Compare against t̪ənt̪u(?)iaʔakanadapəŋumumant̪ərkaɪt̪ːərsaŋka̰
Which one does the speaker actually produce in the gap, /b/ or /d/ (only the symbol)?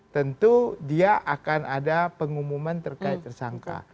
d